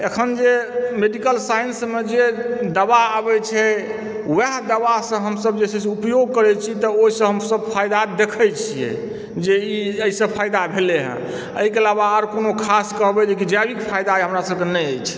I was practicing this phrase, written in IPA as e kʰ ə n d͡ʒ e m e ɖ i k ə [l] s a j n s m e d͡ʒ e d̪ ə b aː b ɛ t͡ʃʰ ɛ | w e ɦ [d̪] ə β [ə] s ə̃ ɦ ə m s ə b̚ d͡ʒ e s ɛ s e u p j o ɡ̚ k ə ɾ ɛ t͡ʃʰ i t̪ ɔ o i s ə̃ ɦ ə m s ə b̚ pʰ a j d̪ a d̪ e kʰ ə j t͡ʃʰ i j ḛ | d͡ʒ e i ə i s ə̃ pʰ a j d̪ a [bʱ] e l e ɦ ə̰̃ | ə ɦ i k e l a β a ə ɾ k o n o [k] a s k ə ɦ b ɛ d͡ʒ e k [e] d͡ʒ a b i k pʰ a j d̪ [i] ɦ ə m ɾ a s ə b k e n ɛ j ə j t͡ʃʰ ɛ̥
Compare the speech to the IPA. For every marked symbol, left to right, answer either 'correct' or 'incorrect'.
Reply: correct, correct, incorrect, correct, incorrect, incorrect, incorrect

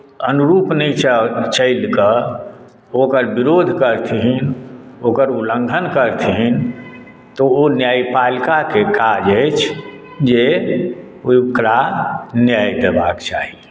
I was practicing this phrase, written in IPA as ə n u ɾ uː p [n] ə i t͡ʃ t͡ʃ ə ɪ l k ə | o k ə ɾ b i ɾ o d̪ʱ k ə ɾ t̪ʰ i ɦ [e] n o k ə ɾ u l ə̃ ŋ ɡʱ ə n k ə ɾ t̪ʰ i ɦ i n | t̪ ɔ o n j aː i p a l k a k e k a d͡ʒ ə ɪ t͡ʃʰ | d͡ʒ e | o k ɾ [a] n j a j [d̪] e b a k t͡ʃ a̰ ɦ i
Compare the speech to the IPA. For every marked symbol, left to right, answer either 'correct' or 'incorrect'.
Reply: correct, incorrect, correct, correct

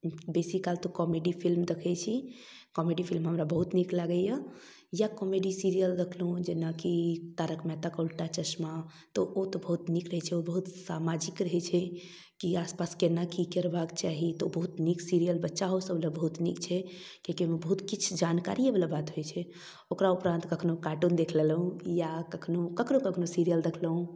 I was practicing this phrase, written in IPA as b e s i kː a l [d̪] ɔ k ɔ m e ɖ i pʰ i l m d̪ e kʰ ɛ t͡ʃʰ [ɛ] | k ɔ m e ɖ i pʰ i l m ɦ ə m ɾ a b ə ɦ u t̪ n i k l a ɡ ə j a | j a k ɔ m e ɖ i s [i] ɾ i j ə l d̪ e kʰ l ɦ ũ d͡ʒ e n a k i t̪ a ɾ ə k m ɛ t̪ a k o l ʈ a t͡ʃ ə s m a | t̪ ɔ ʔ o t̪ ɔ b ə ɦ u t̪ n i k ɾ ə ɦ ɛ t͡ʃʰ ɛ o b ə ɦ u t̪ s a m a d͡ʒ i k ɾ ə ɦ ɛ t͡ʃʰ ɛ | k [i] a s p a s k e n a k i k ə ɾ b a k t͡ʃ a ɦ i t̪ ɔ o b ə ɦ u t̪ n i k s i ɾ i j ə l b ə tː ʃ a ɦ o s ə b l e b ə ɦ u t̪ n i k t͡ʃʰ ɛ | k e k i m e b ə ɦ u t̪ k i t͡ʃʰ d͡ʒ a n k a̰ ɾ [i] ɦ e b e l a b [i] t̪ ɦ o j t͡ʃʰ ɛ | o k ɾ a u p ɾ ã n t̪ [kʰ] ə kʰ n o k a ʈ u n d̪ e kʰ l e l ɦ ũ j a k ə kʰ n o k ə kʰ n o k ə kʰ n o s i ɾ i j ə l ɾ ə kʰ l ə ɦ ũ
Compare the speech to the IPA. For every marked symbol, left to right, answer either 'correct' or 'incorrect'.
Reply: incorrect, incorrect, correct, correct, correct, incorrect, incorrect

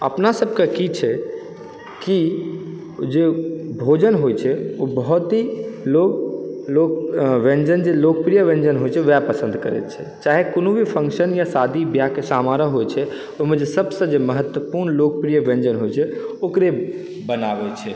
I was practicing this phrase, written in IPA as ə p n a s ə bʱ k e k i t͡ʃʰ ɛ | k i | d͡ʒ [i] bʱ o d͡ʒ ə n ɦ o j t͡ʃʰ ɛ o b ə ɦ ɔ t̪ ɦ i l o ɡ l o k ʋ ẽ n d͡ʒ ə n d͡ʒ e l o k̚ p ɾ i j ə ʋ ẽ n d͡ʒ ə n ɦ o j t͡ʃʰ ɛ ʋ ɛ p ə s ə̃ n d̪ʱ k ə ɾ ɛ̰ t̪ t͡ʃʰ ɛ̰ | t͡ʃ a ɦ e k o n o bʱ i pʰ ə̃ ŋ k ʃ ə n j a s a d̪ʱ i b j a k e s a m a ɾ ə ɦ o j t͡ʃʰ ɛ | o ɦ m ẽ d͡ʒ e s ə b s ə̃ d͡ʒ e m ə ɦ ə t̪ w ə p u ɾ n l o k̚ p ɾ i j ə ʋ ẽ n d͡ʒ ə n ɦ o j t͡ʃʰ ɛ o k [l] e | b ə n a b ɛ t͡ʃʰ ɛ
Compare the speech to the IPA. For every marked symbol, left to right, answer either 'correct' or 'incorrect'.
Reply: incorrect, incorrect

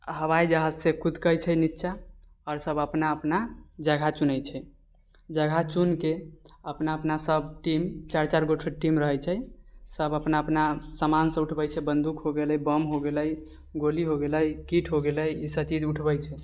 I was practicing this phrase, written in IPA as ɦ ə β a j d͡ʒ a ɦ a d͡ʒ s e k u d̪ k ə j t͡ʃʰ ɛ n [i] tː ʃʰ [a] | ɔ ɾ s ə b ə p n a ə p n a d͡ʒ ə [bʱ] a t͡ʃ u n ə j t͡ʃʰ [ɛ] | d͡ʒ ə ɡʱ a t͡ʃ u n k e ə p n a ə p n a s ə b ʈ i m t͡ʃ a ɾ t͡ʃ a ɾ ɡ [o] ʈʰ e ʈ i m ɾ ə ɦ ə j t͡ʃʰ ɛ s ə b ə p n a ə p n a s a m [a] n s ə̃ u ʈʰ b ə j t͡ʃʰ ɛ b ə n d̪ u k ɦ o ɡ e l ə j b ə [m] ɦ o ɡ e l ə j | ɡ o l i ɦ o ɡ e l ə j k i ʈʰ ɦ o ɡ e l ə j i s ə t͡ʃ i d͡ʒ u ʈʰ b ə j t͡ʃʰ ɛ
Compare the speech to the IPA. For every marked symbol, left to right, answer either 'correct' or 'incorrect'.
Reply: correct, correct, incorrect, correct, correct, correct, correct

